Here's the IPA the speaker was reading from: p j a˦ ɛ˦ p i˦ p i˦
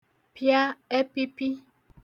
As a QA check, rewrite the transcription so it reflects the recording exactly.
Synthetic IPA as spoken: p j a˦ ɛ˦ p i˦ p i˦